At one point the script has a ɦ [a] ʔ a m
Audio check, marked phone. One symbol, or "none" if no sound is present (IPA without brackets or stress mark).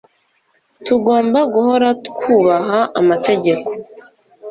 a